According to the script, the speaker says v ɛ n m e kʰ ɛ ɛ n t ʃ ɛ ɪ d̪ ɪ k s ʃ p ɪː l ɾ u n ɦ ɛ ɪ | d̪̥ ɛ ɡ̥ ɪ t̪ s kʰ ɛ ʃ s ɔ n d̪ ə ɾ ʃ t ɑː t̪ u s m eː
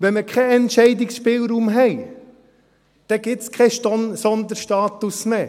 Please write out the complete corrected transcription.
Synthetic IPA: ʋ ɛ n m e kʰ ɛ ɛ n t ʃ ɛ ɪ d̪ ɪ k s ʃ p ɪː l ɾ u m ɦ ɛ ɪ | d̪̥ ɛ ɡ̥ ɪ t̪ s kʰ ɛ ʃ s ɔ n d̪ ə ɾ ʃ t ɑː t̪ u s m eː